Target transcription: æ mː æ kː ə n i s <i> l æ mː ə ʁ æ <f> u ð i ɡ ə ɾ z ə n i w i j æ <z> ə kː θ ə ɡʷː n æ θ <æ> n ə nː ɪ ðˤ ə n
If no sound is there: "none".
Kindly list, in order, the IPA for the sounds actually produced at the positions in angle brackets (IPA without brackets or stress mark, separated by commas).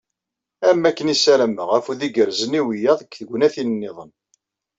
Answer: æ, f, ð, i